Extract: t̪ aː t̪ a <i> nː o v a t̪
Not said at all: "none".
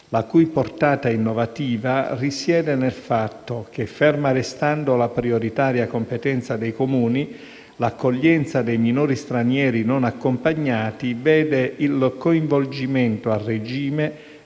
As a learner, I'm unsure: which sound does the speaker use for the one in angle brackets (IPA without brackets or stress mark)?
i